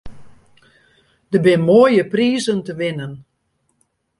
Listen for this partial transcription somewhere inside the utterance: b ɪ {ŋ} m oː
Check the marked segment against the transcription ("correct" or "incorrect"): incorrect